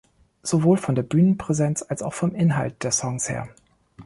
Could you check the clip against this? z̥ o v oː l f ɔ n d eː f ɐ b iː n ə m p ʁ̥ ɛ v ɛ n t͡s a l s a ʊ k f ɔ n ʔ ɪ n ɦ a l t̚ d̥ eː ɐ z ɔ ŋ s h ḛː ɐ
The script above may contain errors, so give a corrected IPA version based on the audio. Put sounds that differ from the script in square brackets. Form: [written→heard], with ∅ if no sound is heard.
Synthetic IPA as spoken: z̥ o v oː l f ɔ n d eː [f→∅] ɐ b [iː→yː] n ə [m→n] p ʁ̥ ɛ [v→z] ɛ n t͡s a l s a ʊ [k→x] f ɔ [n→m] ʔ ɪ n ɦ a l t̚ d̥ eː ɐ [z→s] ɔ ŋ s h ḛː ɐ